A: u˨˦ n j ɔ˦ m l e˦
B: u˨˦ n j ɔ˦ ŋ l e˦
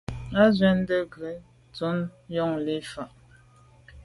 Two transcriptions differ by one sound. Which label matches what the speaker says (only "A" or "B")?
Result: B